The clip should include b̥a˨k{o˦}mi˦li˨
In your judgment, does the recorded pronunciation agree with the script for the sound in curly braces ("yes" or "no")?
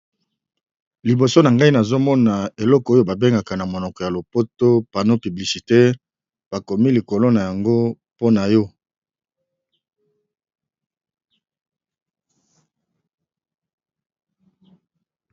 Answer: no